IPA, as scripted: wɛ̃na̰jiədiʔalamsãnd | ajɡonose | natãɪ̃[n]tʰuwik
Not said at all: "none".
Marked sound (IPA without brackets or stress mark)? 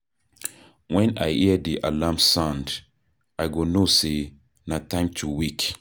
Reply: m